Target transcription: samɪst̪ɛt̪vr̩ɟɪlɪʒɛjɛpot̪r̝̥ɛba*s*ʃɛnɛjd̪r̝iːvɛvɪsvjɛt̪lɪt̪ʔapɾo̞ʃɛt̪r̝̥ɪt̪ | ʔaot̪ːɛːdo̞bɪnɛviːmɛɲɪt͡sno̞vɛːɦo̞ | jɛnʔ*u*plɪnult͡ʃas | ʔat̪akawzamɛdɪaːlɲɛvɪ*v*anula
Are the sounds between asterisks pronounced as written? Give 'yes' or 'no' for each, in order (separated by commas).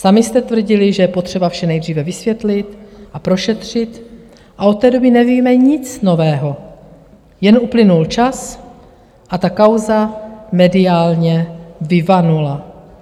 no, yes, yes